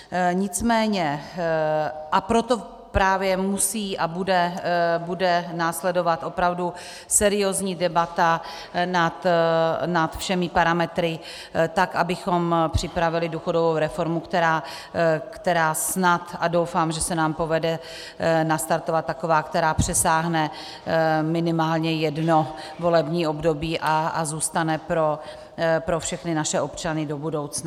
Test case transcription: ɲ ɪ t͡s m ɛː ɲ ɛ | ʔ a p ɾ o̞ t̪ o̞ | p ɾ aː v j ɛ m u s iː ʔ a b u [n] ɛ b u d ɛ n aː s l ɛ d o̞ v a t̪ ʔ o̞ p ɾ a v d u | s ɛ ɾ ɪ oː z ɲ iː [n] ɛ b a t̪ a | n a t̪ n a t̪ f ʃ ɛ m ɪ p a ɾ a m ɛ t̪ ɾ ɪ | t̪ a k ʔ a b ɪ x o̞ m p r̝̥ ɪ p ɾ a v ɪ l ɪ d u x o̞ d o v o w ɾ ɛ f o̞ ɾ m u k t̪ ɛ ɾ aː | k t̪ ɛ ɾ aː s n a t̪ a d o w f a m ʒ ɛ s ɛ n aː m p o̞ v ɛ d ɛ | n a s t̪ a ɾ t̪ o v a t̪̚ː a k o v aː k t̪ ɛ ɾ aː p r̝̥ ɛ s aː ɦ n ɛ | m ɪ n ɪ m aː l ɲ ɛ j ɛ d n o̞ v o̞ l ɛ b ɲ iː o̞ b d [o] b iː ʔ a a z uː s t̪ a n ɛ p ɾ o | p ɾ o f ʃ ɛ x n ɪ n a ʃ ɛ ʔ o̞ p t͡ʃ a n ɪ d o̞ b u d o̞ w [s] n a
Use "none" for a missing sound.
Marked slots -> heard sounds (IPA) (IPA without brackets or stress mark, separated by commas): d, d, o, t͡s